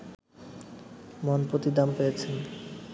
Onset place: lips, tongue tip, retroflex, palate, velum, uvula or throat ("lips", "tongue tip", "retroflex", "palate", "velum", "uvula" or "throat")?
lips